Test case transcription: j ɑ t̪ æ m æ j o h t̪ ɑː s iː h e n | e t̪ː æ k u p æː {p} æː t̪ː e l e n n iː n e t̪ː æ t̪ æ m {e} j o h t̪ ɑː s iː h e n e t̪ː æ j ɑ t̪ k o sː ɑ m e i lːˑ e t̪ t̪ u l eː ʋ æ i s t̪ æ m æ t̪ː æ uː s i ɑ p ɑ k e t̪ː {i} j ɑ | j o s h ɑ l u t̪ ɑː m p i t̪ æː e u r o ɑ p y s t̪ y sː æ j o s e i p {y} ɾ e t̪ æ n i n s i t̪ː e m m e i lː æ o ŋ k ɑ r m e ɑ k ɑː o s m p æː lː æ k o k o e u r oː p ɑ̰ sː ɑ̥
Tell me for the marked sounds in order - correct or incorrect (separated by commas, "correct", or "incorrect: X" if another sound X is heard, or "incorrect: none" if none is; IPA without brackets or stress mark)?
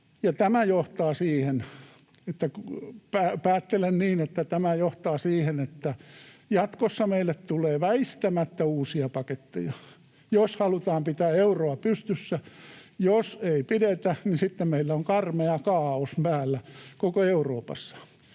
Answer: correct, incorrect: æ, incorrect: e, incorrect: i